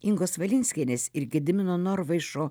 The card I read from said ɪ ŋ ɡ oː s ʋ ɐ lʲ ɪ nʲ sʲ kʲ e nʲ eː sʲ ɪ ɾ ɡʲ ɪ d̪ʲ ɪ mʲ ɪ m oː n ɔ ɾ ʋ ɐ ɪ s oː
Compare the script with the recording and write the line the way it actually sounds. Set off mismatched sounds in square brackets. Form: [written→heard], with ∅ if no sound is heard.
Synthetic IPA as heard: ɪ ŋ ɡ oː s ʋ ɐ lʲ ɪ nʲ sʲ kʲ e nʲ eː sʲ ɪ ɾ ɡʲ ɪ d̪ʲ ɪ mʲ ɪ [m→n] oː n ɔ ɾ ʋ ɐ ɪ [s→ʃ] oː